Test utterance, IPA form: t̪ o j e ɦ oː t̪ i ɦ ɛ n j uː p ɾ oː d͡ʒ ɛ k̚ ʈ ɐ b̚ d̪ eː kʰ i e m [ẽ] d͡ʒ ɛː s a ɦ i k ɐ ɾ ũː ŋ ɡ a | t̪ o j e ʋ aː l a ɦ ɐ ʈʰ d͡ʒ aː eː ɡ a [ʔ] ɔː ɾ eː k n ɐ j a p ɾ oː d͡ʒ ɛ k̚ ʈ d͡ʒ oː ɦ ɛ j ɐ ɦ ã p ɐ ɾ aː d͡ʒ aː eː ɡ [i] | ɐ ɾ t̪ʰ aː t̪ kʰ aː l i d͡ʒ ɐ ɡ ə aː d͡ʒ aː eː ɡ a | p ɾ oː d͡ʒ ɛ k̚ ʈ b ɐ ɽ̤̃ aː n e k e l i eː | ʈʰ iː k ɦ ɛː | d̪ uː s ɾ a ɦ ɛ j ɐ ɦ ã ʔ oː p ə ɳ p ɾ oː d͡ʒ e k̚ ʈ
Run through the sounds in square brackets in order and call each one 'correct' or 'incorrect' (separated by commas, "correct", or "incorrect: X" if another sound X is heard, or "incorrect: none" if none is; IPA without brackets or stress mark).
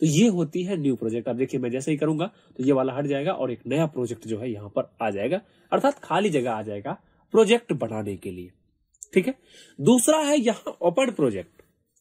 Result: incorrect: ɛ̃, correct, incorrect: a